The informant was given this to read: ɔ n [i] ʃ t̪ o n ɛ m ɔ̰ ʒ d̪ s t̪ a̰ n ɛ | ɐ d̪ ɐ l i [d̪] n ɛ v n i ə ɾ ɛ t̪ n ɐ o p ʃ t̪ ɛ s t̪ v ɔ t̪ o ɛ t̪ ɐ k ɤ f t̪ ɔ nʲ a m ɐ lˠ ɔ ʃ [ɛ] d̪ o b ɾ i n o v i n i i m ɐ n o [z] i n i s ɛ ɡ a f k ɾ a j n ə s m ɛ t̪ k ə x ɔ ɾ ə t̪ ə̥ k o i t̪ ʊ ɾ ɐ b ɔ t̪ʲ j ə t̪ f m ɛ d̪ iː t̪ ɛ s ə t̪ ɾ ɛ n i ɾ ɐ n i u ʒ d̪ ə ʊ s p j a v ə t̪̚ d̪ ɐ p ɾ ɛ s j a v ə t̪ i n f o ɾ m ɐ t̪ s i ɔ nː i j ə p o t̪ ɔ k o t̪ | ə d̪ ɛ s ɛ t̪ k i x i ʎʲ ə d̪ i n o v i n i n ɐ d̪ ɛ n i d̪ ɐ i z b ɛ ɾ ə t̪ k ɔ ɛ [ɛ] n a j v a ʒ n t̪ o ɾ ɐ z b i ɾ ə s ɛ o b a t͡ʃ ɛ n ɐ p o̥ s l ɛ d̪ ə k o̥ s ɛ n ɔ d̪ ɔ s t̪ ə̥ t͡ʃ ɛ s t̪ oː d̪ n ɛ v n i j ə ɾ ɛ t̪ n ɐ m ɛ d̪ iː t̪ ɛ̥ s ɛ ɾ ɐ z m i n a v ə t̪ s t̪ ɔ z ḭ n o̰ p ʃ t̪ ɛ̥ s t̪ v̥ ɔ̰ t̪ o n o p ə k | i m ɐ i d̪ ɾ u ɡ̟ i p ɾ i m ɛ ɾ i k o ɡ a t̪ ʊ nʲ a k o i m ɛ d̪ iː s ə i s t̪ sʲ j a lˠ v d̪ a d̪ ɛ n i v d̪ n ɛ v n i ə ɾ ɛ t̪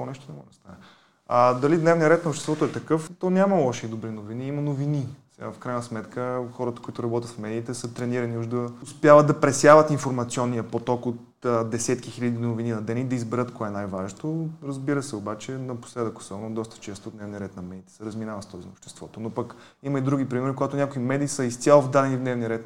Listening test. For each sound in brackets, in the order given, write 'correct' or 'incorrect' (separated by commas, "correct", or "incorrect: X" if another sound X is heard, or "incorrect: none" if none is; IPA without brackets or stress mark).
incorrect: ɛ, correct, incorrect: i, incorrect: v, correct